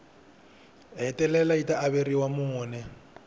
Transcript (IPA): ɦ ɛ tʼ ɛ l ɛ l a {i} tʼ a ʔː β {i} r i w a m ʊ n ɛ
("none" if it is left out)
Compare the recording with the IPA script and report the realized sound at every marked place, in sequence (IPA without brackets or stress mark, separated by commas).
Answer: i, e